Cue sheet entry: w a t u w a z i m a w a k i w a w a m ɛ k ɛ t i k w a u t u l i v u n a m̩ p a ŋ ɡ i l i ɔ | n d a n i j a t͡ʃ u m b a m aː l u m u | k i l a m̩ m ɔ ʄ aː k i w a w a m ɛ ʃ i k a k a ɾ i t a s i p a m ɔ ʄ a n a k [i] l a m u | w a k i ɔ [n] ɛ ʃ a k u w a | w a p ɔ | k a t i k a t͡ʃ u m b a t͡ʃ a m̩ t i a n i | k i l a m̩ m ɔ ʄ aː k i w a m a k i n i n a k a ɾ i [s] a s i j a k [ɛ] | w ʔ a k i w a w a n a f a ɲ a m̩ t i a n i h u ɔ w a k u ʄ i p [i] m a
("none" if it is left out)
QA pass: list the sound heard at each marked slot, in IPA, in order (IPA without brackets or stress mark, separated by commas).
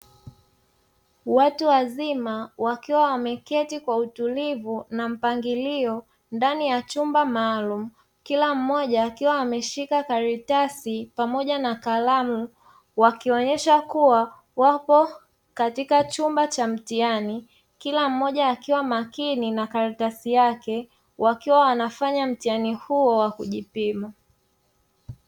a, ɲ, t, ɛ, i